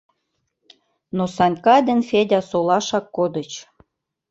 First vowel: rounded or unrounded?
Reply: rounded